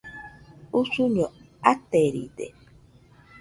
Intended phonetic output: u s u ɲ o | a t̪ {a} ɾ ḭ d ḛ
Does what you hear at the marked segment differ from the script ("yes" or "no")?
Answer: yes